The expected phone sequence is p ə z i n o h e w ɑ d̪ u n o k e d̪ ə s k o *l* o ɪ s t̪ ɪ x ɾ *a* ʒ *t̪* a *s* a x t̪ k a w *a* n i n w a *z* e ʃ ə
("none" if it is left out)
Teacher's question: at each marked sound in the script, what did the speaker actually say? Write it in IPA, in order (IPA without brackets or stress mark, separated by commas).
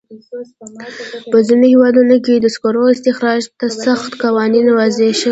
ɾ, ɑ, t̪, s, ɑ, z